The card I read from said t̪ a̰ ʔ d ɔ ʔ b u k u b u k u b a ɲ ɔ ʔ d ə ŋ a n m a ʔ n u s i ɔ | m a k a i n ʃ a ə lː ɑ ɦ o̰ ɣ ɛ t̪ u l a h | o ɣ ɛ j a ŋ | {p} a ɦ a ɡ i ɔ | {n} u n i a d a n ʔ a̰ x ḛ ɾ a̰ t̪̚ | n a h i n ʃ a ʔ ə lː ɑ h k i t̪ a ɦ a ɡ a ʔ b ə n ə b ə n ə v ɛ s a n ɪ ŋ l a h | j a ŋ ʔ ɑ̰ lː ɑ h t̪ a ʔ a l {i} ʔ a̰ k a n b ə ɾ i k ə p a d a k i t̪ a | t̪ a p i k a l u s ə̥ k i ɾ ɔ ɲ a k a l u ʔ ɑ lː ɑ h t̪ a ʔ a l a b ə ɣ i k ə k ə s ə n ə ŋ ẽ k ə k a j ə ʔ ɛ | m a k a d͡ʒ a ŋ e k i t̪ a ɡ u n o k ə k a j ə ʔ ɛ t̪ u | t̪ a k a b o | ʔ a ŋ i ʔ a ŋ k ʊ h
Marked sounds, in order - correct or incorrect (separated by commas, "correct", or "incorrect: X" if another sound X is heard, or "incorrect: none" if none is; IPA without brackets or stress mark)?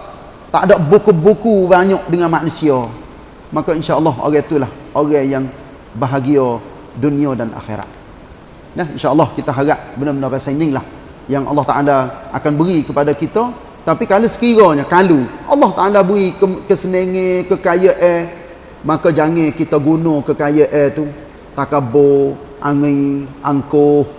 incorrect: b, incorrect: d, incorrect: a